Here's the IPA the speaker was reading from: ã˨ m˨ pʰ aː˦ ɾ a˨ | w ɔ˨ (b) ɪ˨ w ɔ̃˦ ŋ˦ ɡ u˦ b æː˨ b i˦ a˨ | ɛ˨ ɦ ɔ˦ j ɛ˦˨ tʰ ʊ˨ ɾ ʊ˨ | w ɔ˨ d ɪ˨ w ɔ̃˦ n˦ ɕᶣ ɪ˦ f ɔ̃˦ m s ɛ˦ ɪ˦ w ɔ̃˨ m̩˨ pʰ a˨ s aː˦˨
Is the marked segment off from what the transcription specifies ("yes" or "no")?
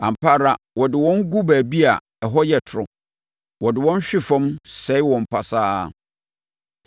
yes